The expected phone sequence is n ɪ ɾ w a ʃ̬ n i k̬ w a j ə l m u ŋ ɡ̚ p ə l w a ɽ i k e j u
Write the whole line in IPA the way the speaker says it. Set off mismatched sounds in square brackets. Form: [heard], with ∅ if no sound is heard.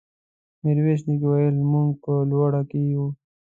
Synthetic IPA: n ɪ ɾ w [e] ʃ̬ n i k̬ w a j ə l m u ŋ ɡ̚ p ə l w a ɽ [a] k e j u